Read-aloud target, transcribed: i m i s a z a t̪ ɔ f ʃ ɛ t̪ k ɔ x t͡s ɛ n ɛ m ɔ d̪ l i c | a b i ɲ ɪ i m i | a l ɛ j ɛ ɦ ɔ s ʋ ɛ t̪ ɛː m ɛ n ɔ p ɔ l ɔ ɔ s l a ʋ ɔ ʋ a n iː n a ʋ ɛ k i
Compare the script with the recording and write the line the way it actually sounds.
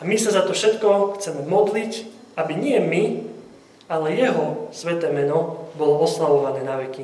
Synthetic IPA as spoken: a m i s a z a t̪ ɔ f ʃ ɛ t̪ k ɔ x t͡s ɛ m ɛ m ɔ d̪ l i c | a b i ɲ ɪ ɛ m i | a l ɛ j ɛ ɦ ɔ s ʋ ɛ t̪ ɛː m ɛ n ɔ b ɔ l ɔ ɔ s l a ʋ ɔ ʋ a n ɛː n a ʋ ɛ k i